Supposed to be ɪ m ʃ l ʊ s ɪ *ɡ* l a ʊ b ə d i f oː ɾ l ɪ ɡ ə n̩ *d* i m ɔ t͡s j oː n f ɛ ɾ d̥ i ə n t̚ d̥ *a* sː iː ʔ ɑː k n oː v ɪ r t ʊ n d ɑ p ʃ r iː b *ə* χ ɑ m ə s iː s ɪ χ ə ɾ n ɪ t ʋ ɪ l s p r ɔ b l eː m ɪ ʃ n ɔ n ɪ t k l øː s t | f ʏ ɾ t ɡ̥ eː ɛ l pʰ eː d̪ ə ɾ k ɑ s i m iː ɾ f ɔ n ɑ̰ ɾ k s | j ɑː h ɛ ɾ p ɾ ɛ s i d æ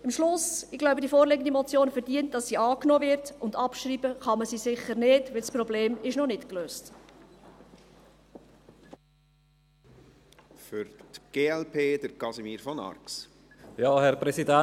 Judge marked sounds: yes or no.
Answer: yes, yes, no, yes

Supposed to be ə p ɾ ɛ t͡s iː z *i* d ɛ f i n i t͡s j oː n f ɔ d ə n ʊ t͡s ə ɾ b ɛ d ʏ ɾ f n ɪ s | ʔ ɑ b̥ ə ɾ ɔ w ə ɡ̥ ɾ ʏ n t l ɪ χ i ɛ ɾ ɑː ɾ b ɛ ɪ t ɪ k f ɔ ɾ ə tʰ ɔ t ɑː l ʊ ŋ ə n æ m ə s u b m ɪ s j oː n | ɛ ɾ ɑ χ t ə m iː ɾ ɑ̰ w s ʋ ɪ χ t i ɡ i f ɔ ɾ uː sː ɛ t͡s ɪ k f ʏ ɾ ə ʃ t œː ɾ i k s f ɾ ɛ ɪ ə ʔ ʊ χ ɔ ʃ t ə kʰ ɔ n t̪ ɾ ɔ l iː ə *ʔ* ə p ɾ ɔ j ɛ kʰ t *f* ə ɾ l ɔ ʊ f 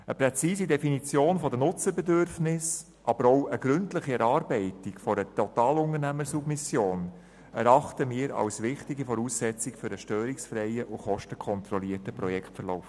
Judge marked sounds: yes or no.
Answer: yes, no, yes

